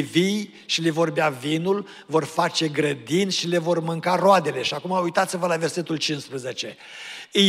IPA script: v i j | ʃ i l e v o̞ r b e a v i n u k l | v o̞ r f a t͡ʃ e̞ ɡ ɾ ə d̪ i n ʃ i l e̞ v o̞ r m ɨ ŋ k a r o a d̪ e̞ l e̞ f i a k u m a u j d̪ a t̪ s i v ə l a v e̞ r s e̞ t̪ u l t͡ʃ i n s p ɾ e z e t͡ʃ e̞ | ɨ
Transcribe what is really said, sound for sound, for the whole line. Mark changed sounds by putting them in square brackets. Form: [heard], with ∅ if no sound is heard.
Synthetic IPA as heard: v i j | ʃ i l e v o̞ r b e a v i n u [∅] l | v o̞ r f a t͡ʃ e̞ ɡ ɾ ə d̪ i n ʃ i l e̞ v o̞ r m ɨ ŋ k a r o a d̪ e̞ l e̞ [ʃ] i a k u m a u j [t̪] a t̪ s i v ə l a v e̞ r s e̞ t̪ u l t͡ʃ i n s p ɾ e z e t͡ʃ e̞ | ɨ